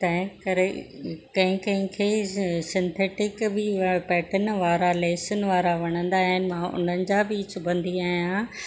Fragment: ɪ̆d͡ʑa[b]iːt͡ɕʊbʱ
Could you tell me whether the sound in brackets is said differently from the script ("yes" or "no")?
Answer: no